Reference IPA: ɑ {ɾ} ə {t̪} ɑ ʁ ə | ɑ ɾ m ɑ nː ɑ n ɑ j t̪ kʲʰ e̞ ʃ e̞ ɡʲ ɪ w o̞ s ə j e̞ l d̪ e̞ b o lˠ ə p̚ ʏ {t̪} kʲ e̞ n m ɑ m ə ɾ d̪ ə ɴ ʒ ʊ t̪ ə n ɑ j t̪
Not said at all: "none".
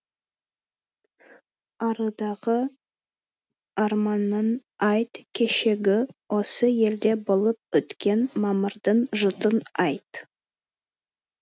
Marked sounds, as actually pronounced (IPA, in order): ɾ, d̪, t̪

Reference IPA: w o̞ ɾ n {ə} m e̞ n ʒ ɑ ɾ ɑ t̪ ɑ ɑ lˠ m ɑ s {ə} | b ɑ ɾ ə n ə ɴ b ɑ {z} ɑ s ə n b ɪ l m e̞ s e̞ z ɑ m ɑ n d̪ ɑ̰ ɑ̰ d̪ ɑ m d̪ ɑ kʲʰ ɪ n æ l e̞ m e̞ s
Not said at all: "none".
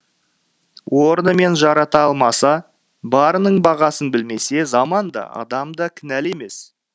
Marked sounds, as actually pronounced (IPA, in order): ə, ɑ, ʁ

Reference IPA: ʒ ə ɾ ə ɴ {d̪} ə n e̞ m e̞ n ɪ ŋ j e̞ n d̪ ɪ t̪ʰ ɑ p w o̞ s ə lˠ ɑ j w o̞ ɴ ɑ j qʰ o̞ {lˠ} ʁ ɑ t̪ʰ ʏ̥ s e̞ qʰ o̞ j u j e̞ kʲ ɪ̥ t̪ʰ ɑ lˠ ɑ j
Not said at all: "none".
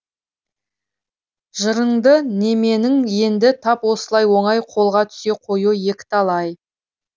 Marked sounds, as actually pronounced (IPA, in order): d̪, lˠ

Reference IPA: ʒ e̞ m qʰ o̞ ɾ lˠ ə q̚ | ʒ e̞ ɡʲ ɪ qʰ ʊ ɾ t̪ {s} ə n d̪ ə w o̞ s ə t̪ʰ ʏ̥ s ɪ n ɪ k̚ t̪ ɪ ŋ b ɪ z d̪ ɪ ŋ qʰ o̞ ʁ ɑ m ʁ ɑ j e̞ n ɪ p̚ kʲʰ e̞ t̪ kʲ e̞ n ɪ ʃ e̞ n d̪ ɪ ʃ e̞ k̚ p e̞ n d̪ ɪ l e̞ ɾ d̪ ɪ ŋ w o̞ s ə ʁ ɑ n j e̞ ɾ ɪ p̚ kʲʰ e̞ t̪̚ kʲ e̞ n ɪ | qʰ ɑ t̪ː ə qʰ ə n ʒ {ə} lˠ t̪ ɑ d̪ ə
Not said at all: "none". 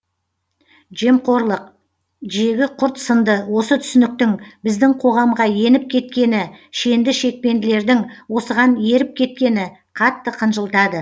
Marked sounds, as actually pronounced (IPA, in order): s, ə

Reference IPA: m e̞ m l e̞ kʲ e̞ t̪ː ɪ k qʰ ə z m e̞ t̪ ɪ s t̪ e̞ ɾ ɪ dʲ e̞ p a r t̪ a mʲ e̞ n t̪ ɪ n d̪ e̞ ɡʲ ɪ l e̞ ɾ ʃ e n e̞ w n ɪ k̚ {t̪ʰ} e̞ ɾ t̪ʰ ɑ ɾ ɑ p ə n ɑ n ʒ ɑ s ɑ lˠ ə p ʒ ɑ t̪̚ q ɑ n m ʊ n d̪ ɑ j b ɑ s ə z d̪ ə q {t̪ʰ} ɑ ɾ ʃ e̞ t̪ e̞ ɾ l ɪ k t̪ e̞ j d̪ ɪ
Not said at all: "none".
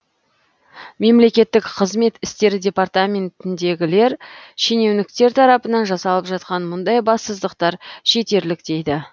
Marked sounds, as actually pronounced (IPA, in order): t̪, t̪

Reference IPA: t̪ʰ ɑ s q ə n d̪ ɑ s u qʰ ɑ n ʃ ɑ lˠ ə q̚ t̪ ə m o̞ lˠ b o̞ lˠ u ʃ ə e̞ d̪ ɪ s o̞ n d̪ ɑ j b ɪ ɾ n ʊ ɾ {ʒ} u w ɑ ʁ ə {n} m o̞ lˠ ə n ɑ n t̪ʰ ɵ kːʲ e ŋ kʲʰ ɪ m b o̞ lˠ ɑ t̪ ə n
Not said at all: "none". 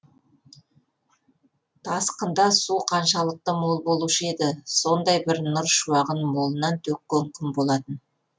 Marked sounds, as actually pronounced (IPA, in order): ʃ, n

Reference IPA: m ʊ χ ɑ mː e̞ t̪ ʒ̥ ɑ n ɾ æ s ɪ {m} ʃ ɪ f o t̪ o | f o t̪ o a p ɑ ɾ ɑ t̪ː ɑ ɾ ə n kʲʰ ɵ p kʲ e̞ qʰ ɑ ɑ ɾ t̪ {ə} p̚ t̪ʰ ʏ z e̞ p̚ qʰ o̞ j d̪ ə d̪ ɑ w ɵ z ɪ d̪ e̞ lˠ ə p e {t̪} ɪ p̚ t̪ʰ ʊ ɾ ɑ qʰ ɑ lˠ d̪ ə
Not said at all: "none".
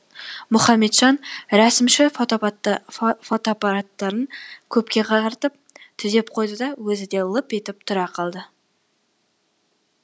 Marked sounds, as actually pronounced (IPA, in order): m, ə, t̪

